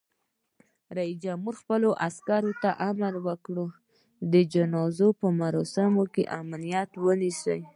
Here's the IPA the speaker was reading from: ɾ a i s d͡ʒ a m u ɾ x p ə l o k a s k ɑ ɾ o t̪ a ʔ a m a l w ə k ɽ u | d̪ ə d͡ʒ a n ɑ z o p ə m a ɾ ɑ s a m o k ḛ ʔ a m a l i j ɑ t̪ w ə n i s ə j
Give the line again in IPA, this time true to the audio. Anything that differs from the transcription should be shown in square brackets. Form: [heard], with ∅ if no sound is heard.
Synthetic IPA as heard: ɾ a i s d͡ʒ a m u ɾ x p ə l o [ʔ] a s k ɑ ɾ o t̪ a ʔ a m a l w ə k ɽ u | d̪ ə d͡ʒ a n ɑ z o p ə m a ɾ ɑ s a m o k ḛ ʔ a m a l i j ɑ t̪ w ə n i s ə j

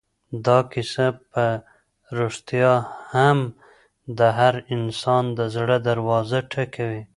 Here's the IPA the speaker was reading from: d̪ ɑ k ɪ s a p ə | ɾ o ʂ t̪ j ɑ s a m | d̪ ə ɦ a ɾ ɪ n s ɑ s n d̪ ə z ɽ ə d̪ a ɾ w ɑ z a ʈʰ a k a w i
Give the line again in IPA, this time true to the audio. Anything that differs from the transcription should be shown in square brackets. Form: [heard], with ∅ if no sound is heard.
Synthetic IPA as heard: d̪ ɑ k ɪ s a p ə | ɾ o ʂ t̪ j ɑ [h] a m | d̪ ə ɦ a ɾ ɪ n s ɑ [∅] n d̪ ə z ɽ ə d̪ a ɾ w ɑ z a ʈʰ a k a w i

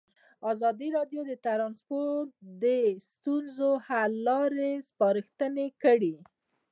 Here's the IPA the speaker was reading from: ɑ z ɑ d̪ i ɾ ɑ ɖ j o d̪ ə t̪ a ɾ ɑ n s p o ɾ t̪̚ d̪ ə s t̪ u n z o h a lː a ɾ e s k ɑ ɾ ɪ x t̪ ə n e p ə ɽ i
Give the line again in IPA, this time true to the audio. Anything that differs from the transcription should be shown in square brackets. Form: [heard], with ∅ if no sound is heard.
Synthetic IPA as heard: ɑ z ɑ d̪ i ɾ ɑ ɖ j o d̪ ə t̪ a ɾ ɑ n s p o ɾ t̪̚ d̪ ə s t̪ u n z o h a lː [ɑ] ɾ e s [p] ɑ ɾ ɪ x t̪ ə n e [k] ə ɽ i

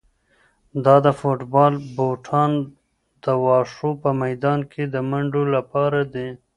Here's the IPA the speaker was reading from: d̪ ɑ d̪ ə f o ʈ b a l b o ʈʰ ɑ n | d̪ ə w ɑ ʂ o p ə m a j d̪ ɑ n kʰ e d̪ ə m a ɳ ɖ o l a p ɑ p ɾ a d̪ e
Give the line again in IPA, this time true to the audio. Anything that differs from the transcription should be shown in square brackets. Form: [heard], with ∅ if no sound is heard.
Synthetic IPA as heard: d̪ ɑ d̪ ə f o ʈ b [ɑ] l b o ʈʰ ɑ n | d̪ ə w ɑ ʂ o p ə m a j d̪ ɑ n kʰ e d̪ ə m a ɳ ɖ o l a p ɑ [∅] ɾ a d̪ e

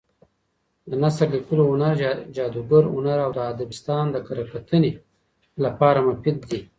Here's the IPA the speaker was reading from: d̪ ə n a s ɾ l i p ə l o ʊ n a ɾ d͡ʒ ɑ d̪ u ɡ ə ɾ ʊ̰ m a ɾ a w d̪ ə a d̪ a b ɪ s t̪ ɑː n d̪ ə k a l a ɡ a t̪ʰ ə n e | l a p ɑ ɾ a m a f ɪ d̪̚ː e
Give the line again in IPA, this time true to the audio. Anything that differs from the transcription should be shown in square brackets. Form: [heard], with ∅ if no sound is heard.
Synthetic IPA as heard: d̪ ə n a s ɾ l i [k] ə l o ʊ n a ɾ d͡ʒ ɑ d̪ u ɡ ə ɾ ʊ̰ [n] a ɾ a w d̪ ə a d̪ a b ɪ s t̪ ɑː n d̪ ə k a [ɾ] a [k] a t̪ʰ ə n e | l a p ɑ ɾ a m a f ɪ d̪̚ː [i]

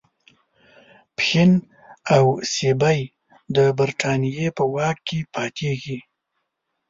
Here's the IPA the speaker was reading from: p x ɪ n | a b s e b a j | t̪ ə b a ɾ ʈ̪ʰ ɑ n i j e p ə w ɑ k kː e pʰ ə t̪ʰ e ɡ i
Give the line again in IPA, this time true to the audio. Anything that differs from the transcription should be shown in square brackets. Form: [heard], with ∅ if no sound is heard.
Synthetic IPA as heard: p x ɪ n | a [w] s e b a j | [d̪] ə b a ɾ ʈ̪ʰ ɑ n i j e p ə w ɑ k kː e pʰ [ɑ] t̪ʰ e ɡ i

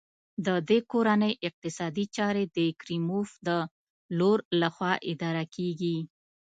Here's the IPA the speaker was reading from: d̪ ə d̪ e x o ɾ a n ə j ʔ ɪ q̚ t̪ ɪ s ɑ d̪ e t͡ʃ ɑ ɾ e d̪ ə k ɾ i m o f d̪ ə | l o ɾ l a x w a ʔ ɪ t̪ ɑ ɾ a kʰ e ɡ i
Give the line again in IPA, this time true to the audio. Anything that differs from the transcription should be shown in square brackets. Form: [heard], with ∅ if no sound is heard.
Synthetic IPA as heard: d̪ ə d̪ e [k] o ɾ a n ə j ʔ ɪ q̚ t̪ ɪ s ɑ d̪ [i] t͡ʃ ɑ ɾ e d̪ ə k ɾ i m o f d̪ ə | l o ɾ l a x w [ɑ] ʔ ɪ [d̪] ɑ ɾ a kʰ e ɡ i

